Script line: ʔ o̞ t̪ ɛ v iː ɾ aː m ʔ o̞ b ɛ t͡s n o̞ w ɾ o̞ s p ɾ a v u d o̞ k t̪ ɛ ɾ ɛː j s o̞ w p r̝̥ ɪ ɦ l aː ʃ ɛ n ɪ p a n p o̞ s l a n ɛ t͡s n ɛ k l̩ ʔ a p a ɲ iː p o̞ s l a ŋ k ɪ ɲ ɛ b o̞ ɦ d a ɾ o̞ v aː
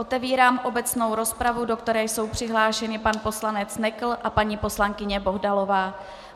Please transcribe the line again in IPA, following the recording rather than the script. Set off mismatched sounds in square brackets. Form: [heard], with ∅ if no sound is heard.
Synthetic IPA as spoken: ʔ o̞ t̪ ɛ v iː ɾ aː m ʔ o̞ b ɛ t͡s n o̞ w ɾ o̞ s p ɾ a v u d o̞ k t̪ ɛ ɾ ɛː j s o̞ w p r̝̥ ɪ ɦ l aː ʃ ɛ n ɪ p a n p o̞ s l a n ɛ t͡s n ɛ k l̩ ʔ a p a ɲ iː p o̞ s l a ŋ k ɪ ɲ ɛ b o̞ ɦ d a [l] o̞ v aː

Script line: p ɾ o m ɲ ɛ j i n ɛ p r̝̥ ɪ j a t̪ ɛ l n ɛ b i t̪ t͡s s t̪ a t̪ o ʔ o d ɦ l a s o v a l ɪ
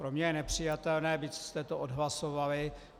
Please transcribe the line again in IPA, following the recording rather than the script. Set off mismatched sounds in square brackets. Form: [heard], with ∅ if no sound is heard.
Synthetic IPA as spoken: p ɾ o m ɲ ɛ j [ɛ] n ɛ p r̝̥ ɪ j a t̪ ɛ l n [ɛː] b i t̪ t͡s s t̪ [ɛ] t̪ o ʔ o d ɦ l a s o v a l ɪ

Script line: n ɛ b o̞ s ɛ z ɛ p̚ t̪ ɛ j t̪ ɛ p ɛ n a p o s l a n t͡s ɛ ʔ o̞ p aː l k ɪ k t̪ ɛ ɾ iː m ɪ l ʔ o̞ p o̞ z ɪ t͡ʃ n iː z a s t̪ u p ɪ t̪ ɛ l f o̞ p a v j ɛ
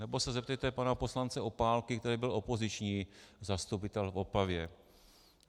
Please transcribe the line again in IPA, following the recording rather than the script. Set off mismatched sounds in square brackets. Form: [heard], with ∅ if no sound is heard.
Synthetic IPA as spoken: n ɛ b o̞ s ɛ z ɛ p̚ t̪ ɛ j t̪ ɛ p [a] n a p o s l a n t͡s ɛ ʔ o̞ p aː l k ɪ k t̪ ɛ ɾ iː [b] ɪ l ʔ o̞ p o̞ z ɪ t͡ʃ [ɲ] iː z a s t̪ u p ɪ t̪ ɛ l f o̞ p a v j ɛ

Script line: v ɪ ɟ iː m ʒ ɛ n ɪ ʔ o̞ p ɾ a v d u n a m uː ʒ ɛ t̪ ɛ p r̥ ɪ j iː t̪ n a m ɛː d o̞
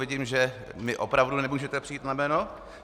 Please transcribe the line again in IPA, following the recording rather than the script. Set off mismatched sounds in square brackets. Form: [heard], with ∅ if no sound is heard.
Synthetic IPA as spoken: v ɪ ɟ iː m ʒ ɛ [m] ɪ ʔ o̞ p ɾ a v d u n [ɛ] m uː ʒ ɛ t̪ ɛ p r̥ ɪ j iː t̪ n a m ɛː [n] o̞

